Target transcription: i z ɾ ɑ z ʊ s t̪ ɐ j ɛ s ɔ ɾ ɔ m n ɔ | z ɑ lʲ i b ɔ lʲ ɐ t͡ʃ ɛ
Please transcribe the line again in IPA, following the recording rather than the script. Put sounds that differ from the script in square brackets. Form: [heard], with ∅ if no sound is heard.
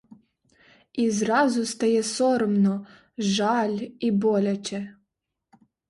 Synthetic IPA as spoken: i z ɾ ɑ z ʊ s t̪ ɐ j ɛ s ɔ ɾ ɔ m n ɔ | [ʒ] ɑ lʲ i b ɔ lʲ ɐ t͡ʃ ɛ